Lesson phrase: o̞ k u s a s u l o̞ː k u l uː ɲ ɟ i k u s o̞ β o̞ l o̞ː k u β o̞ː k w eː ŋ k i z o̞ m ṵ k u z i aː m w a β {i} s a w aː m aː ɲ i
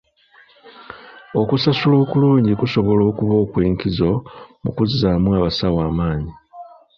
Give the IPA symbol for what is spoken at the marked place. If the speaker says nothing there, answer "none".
a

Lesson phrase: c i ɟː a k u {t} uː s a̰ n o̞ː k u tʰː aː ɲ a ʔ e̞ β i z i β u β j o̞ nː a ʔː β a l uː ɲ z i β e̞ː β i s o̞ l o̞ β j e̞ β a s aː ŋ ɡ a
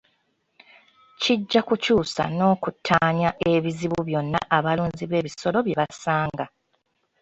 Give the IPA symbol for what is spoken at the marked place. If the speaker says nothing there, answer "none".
c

